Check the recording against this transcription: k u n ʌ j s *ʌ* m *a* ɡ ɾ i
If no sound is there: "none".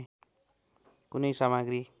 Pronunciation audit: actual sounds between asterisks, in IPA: a, a

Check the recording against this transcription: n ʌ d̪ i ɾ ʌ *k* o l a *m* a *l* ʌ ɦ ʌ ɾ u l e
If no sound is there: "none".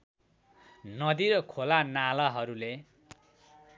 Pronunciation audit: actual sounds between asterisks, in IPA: kʰ, n, l

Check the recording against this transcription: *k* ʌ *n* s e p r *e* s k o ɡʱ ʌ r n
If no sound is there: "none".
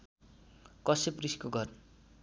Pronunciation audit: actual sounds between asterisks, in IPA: k, none, i

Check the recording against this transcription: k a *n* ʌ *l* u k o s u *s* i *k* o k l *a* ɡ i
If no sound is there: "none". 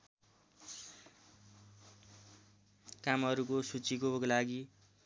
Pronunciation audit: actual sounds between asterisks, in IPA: m, ɾ, t͡s, k, a

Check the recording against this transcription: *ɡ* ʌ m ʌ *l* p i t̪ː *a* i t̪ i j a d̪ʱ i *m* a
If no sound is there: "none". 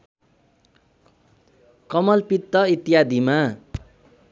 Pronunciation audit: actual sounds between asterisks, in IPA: k, l, ʌ, m

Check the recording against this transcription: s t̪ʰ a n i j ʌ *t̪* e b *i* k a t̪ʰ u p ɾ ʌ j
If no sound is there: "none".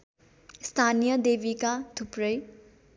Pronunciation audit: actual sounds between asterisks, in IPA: d̪, i

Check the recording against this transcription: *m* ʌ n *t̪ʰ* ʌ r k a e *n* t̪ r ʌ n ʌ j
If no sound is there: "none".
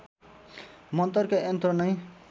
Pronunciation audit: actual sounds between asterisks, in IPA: m, t̪, n

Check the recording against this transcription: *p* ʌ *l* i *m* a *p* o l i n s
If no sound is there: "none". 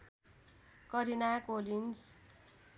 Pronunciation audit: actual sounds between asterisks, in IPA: k, ɾ, n, k

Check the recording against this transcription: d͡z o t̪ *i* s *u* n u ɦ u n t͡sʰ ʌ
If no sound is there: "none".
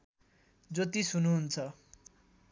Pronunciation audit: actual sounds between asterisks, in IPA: i, u

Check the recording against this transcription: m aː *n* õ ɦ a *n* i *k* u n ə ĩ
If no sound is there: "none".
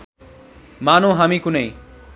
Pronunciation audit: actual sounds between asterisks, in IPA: n, m, k

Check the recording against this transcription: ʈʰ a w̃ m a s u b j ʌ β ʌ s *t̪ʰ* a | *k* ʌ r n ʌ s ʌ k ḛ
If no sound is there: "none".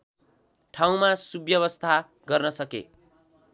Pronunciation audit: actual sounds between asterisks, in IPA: t̪ʰ, ɡ

